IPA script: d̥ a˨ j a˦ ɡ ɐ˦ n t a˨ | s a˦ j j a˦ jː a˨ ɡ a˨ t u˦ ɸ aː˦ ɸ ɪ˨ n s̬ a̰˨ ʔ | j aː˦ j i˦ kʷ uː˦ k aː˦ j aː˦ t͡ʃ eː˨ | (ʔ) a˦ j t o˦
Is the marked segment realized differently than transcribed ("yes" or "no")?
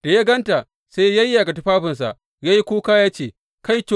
yes